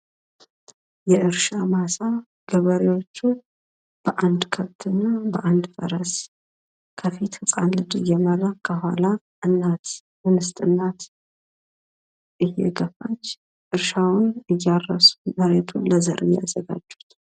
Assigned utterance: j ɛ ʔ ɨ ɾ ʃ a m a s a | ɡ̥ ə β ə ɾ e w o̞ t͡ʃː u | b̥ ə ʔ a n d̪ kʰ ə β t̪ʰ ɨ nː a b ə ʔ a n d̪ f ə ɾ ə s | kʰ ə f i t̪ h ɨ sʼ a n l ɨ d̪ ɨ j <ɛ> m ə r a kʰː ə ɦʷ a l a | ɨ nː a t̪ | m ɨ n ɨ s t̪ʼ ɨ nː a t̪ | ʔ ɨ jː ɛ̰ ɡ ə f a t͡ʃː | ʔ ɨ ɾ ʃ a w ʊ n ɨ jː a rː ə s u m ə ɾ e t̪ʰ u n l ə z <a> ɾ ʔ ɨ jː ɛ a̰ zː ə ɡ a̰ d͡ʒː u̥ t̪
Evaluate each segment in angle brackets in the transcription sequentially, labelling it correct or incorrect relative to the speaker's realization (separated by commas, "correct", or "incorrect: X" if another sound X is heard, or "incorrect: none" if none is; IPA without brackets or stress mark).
correct, incorrect: ə